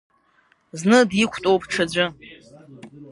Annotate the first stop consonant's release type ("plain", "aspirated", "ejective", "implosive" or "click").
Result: plain